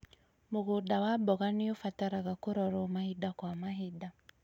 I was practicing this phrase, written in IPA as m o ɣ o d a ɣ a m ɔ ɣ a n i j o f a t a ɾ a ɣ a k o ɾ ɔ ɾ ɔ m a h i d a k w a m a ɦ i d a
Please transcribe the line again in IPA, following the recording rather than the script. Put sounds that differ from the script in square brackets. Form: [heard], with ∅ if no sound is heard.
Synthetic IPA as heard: m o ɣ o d a [w] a [b] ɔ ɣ a n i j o f a t a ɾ a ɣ a k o ɾ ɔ ɾ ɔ m a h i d a k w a m a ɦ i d a